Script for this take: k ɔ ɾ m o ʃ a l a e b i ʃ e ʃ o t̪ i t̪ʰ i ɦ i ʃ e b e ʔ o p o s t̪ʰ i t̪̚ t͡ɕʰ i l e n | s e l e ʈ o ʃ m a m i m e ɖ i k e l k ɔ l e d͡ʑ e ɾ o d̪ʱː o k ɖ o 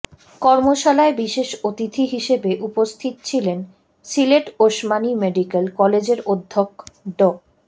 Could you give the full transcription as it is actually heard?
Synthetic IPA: k ɔ ɾ m o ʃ a l a e b i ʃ e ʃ o t̪ i t̪ʰ i ɦ i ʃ e b e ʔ u p o s t̪ʰ i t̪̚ t͡ɕʰ i l e n | s i l e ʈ o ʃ m a n i m e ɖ i k e l k ɔ l e d͡ʑ e ɾ o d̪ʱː o k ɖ o